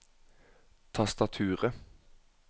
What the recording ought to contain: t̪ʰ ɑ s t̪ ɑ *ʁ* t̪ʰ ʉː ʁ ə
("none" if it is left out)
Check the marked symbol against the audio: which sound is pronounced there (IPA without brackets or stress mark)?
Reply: none